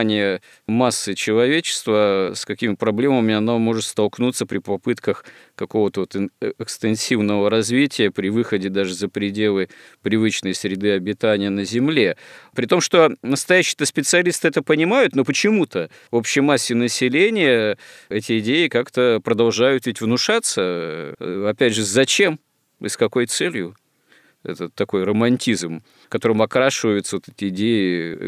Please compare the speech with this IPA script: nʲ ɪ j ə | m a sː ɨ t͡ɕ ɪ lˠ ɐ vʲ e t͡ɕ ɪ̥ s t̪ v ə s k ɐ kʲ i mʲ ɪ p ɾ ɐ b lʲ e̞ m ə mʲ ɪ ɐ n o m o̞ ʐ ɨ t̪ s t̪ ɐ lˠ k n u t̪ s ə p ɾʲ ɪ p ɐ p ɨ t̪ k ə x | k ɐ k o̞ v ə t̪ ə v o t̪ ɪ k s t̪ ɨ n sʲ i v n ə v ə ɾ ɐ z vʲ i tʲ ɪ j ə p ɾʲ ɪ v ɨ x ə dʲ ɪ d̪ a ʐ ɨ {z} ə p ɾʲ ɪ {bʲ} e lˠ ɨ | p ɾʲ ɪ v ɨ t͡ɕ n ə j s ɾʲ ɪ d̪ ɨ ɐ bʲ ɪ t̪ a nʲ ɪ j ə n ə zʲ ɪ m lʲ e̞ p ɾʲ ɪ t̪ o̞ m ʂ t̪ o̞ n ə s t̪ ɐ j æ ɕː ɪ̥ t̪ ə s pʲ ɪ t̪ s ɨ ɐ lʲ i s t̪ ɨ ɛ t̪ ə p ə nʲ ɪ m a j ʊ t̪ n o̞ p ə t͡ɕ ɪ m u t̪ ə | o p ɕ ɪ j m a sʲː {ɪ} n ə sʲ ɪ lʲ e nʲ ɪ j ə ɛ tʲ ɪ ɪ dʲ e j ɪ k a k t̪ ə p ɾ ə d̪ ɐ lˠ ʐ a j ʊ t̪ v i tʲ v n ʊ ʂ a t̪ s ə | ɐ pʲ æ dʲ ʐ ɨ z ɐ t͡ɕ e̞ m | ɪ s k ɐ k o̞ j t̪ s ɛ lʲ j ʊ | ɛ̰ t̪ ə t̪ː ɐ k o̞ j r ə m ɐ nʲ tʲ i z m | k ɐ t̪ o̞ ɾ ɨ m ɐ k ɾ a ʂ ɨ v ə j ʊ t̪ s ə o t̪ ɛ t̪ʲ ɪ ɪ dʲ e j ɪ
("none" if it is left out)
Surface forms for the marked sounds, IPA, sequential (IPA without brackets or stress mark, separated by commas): z, dʲ, ɪ